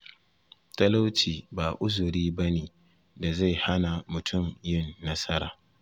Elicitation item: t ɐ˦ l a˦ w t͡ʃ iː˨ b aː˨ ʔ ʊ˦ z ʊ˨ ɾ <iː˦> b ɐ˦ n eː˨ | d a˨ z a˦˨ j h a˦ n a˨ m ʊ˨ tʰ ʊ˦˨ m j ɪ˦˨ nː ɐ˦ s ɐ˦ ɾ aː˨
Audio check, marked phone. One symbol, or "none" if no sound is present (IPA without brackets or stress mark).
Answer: iː˦